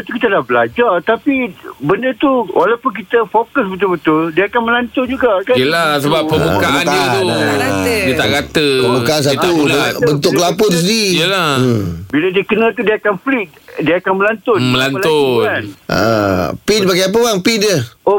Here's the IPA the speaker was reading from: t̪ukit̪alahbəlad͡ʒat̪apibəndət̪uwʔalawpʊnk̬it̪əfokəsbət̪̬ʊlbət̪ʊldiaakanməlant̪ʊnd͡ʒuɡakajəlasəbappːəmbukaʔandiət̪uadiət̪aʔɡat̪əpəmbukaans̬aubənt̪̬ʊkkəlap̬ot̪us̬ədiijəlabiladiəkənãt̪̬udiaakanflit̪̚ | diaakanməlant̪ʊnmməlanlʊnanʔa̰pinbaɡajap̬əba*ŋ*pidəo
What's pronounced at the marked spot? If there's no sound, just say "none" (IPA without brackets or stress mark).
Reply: ŋ